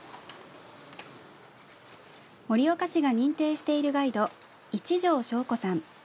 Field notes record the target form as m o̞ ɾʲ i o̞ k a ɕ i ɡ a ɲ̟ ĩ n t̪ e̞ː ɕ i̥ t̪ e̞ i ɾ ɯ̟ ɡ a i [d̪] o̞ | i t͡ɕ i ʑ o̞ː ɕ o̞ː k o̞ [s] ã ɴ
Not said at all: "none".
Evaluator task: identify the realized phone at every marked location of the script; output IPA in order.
d̪, s

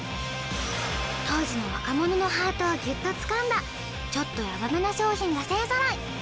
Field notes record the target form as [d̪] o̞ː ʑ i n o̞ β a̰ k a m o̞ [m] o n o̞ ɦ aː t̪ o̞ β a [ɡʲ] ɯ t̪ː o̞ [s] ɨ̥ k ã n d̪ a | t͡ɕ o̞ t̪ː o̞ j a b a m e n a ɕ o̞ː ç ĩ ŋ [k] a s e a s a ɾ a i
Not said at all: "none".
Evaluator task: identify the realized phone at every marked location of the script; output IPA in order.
t̪, n, ɡʲ, t͡s, ɡ

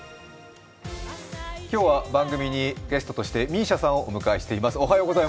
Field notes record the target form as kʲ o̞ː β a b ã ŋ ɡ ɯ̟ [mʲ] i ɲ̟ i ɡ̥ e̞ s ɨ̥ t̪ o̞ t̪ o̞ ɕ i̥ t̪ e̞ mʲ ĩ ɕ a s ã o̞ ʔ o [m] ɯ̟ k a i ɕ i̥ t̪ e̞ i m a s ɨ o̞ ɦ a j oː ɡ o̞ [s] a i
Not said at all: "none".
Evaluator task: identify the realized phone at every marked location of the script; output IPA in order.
mʲ, m, z

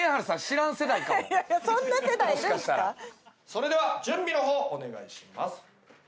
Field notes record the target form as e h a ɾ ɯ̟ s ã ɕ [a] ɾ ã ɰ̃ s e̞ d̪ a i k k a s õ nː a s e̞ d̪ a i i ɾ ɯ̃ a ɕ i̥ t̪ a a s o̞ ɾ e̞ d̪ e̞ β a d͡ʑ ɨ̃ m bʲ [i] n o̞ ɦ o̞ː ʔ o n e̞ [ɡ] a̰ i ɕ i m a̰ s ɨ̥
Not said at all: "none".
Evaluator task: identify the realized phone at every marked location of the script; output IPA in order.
i, i, ɡ

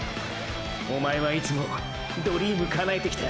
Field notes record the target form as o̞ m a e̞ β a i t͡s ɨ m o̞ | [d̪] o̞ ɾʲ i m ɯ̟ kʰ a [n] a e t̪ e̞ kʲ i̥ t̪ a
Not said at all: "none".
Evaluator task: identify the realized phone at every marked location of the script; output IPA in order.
d̪, n

